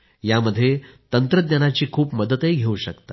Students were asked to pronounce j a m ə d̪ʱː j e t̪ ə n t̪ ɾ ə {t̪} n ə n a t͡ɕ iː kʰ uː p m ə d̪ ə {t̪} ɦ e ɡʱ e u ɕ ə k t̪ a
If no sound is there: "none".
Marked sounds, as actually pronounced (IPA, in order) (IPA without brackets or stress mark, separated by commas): d̪, t̪